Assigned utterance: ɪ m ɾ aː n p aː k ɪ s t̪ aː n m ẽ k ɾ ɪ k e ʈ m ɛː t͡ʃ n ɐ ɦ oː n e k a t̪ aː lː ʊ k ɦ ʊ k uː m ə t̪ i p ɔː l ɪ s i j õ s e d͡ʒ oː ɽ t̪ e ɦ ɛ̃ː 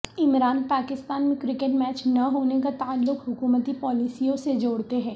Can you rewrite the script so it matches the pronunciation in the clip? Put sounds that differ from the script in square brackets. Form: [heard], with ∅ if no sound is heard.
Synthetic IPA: ɪ m ɾ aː n p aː k ɪ s t̪ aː n m ẽ k ɾ ɪ k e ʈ m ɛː t͡ʃ n ɐ ɦ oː n e k a t̪ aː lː ʊ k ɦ ʊ k uː m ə t̪ i p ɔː l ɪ s i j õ s e d͡ʒ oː ɽ t̪ e ɦ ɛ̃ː